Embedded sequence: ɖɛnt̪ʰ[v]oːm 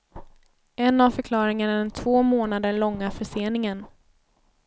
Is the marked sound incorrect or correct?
correct